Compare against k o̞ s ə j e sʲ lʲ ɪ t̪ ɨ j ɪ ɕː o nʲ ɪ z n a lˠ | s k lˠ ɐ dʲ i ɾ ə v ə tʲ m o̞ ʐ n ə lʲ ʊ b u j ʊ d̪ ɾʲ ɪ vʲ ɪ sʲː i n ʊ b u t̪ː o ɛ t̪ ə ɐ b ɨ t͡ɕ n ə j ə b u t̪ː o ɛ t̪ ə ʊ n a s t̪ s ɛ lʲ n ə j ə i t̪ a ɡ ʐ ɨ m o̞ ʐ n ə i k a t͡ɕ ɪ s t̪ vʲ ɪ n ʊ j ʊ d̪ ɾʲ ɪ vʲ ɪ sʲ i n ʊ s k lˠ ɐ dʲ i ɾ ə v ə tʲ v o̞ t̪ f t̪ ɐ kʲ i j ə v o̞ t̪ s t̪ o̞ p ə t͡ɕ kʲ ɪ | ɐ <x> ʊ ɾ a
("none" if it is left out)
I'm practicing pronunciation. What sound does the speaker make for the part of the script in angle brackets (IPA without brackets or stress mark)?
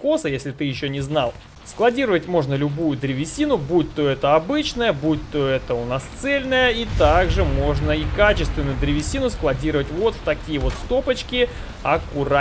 k